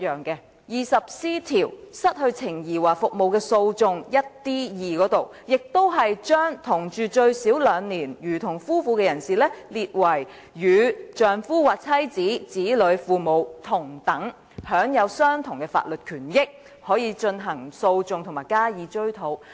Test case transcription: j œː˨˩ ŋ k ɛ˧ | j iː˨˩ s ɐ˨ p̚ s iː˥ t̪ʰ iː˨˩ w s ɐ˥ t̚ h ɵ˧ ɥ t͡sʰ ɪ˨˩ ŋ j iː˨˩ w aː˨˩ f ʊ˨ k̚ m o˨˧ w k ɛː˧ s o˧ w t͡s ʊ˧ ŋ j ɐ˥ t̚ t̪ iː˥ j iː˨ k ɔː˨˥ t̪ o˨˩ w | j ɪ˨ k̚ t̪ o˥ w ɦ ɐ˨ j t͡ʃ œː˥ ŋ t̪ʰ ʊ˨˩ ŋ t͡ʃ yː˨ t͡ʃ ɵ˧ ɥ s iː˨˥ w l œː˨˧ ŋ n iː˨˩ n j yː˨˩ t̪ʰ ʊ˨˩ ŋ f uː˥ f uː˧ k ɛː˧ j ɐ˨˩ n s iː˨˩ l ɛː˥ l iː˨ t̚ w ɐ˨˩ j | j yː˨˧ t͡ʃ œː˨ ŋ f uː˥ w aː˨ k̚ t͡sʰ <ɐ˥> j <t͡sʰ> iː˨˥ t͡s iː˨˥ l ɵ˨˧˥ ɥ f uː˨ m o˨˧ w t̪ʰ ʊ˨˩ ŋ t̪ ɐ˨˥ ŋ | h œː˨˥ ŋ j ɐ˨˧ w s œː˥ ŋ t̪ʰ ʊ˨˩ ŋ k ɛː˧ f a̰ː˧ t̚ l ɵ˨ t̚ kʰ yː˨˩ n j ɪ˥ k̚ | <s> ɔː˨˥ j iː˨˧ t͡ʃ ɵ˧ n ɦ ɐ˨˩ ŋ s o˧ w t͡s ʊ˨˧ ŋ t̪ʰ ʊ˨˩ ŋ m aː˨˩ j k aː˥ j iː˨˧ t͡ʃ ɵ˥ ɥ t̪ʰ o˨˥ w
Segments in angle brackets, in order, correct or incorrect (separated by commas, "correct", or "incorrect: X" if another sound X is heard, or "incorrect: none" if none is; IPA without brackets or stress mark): correct, incorrect: t͡s, incorrect: h